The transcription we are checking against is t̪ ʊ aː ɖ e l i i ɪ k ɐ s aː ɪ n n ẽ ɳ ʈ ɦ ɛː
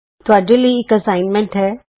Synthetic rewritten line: t̪ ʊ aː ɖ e l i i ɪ k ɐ s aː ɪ n m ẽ ɳ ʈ ɦ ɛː